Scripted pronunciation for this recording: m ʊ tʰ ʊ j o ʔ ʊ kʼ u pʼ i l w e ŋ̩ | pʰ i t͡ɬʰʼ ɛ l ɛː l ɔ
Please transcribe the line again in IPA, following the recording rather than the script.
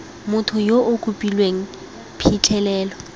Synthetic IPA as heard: m ʊ tʰ ʊ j o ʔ ʊ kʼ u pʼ i l w e ŋ̩ | pʰ i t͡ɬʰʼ ɛ l ɛː l ɔ